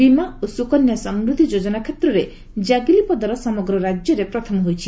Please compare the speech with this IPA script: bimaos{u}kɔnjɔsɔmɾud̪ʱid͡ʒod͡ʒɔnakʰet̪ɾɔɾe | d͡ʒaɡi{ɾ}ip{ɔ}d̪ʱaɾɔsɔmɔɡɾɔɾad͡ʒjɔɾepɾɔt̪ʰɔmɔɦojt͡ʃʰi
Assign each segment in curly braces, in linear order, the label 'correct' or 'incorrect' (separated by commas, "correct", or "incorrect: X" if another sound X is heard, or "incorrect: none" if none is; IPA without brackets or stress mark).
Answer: correct, incorrect: l, correct